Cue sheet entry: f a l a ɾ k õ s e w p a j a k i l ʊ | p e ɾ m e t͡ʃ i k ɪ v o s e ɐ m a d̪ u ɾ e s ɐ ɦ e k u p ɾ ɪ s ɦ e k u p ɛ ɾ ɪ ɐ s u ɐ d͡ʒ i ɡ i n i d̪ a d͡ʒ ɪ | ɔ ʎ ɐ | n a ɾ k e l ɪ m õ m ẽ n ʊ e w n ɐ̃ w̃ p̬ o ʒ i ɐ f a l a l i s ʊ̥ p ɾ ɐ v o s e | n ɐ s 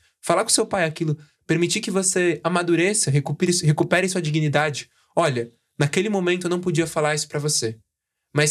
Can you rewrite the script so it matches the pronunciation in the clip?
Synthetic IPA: f a l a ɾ k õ s e w p a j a k i l ʊ | p e ɾ m i t͡ʃ i k ɪ v o s e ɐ m a d̪ u ɾ e s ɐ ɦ e k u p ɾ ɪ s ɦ e k u p ɛ ɾ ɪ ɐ s u ɐ d͡ʒ i ɡ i n i d̪ a d͡ʒ ɪ | ɔ ʎ ɐ | n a k e l ɪ m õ m ẽ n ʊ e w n ɐ̃ w̃ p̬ o d͡ʒ i ɐ f a l a ɾ i s ʊ̥ p ɾ ɐ v o s e | m ɐ s